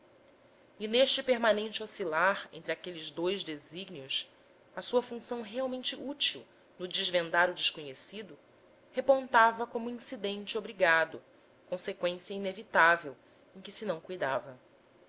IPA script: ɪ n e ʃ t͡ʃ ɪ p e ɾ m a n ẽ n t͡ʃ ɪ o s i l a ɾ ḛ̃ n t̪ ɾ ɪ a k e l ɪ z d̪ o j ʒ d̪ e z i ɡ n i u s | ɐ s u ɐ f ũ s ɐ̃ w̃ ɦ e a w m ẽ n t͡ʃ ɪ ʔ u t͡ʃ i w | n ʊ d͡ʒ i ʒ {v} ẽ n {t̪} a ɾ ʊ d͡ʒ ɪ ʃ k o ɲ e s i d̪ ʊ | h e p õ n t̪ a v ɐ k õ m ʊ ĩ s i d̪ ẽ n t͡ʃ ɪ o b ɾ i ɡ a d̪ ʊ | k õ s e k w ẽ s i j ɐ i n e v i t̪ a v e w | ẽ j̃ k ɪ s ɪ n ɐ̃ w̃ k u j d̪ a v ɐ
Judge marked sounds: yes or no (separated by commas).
yes, no